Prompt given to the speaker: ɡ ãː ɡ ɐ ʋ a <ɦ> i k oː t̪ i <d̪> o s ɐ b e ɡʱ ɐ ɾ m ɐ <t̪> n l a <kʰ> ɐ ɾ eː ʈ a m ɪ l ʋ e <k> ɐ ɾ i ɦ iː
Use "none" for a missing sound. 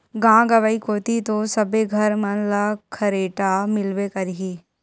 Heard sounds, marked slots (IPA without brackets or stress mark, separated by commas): none, t̪, none, kʰ, k